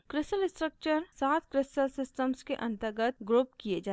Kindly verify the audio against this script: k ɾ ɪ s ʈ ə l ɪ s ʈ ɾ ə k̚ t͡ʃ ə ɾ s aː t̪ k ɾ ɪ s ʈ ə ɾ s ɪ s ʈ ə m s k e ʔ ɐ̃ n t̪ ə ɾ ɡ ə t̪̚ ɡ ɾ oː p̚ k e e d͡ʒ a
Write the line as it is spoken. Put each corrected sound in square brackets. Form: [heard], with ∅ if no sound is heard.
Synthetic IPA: k ɾ ɪ s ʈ ə l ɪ s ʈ ɾ ə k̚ t͡ʃ ə ɾ s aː t̪ k ɾ ɪ s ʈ ə [l] s ɪ s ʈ ə m s k e ʔ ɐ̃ n t̪ ə ɾ ɡ ə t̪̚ ɡ ɾ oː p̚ k [i] e d͡ʒ a